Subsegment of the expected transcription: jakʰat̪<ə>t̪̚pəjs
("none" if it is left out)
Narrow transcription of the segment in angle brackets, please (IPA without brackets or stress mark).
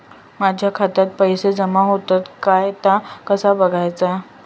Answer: a